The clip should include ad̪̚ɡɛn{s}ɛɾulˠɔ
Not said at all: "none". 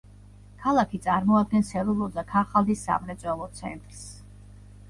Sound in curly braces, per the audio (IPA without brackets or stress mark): s